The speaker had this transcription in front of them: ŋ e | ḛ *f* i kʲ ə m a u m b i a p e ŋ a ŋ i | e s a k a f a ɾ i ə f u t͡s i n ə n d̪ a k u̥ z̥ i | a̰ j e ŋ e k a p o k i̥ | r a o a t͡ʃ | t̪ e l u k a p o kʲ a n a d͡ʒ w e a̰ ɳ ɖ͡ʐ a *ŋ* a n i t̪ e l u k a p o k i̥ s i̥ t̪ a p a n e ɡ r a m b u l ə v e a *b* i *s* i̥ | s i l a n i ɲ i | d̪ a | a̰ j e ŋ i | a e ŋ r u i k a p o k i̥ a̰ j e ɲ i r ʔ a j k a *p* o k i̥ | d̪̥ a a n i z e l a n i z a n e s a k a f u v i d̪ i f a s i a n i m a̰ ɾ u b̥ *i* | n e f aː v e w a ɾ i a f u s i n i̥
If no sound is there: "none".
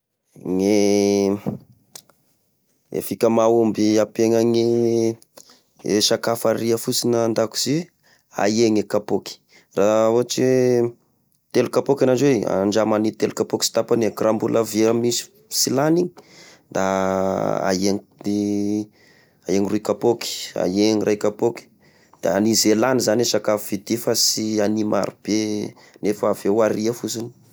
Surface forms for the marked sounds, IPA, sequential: f, m, m, s, p, e

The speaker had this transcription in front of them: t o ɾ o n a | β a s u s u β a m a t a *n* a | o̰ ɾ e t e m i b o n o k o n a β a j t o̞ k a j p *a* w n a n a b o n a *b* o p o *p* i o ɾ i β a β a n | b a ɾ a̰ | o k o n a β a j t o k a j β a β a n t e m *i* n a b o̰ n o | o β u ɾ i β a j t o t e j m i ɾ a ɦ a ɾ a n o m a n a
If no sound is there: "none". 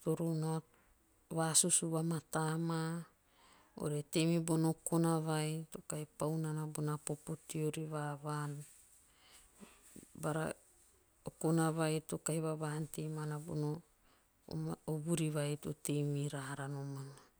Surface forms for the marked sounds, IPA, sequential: m, a, p, t, a

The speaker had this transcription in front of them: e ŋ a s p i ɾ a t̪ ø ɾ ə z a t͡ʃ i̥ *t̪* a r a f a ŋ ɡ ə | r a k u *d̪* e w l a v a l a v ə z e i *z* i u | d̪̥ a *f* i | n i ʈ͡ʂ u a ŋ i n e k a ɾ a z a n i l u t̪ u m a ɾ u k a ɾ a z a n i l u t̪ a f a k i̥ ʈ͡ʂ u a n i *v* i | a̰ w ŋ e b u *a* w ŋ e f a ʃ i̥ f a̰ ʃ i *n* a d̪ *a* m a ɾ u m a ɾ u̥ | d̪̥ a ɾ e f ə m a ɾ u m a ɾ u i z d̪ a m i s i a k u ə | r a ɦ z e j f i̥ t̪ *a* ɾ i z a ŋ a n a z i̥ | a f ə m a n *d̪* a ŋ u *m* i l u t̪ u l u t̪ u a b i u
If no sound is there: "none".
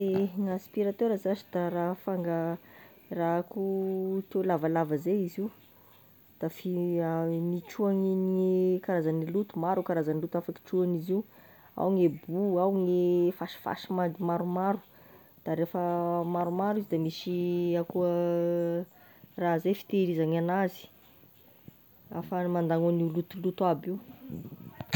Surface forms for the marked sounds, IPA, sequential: d̪, t̪, z, f, z, a, m, i, e, d̪, n

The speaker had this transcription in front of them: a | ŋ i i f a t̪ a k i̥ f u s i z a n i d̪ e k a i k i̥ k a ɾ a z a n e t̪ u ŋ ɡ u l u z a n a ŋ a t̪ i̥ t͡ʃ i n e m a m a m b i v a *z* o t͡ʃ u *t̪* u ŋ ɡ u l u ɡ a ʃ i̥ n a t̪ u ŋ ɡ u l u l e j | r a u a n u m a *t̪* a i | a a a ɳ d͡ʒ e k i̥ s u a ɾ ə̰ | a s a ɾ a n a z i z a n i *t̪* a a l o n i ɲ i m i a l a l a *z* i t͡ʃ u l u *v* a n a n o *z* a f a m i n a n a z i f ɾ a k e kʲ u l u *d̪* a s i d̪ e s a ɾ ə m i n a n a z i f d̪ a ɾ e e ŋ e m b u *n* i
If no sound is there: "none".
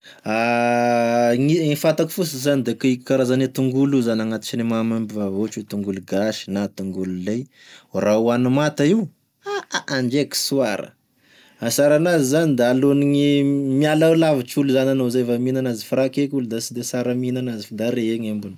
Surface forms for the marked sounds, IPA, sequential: v, t̪, t̪, d̪, v, z, z, d̪, n

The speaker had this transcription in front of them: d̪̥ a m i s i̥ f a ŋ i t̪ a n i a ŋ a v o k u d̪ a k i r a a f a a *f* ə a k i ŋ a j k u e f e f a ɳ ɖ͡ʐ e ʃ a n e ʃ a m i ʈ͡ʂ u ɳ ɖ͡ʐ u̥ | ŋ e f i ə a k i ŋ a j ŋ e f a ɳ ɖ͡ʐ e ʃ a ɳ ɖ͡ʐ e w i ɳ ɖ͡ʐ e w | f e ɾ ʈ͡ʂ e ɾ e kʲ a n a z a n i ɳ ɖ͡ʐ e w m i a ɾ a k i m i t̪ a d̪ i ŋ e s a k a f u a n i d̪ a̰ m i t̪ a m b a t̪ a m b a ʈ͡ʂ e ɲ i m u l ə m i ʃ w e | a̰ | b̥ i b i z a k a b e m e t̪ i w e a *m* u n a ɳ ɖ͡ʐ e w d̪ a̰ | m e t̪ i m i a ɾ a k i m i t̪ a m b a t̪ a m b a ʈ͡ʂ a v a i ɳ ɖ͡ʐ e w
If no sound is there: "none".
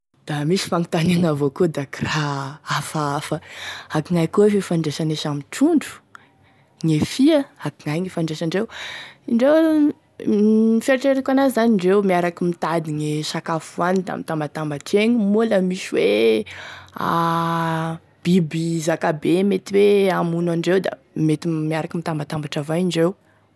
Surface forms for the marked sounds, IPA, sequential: f, m

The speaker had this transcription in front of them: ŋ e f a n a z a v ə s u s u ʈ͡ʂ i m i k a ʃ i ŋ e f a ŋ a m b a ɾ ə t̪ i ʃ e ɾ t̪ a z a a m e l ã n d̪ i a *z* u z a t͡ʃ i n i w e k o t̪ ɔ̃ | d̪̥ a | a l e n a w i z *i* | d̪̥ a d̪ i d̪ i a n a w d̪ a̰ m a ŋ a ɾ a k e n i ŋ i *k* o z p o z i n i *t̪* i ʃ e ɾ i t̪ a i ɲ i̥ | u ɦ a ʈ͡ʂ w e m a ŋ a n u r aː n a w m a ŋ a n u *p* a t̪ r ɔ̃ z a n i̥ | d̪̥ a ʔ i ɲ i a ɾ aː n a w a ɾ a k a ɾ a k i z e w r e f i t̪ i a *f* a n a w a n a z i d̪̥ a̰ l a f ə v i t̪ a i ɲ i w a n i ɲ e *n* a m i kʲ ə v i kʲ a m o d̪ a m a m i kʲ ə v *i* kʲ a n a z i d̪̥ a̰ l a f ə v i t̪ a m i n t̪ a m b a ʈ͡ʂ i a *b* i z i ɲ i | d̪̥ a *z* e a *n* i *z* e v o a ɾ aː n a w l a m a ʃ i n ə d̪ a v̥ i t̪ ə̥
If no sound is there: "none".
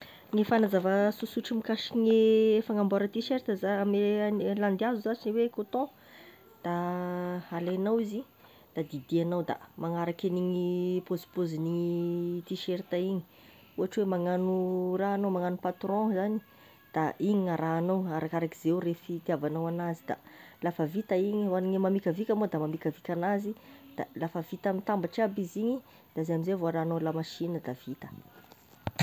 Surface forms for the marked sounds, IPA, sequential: z, i, p, t̪, p, v, m, i, b, z, m, z

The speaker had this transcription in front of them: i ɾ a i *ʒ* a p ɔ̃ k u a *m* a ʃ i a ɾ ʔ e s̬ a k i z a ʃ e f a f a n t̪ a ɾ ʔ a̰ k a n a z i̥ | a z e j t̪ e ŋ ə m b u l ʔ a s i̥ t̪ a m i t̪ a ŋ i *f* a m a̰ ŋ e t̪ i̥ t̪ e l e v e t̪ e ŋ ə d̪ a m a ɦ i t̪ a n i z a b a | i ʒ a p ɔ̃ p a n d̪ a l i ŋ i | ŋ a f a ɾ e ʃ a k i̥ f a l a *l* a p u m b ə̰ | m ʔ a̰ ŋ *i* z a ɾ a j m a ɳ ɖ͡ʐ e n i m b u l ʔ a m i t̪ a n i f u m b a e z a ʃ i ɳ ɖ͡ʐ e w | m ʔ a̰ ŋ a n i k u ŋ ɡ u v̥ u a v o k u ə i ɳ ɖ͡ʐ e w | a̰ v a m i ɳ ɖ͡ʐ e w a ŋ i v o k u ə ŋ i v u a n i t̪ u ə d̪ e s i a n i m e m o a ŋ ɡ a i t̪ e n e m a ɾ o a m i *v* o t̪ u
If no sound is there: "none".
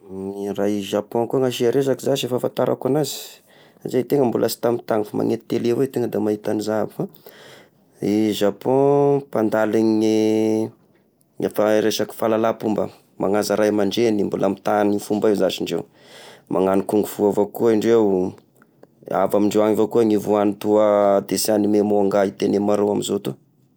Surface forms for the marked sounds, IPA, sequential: ʒ, ŋ, f, l, a, z

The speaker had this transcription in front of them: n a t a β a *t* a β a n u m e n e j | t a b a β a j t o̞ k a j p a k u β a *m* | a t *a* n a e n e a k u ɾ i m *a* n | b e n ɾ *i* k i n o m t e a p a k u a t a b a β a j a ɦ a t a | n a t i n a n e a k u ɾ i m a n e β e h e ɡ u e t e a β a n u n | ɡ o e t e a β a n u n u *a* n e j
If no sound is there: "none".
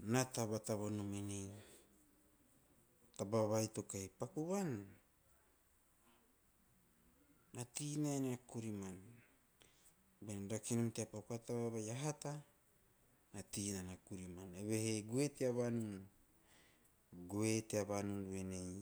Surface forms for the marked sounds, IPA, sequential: t, n, i, a, a, e

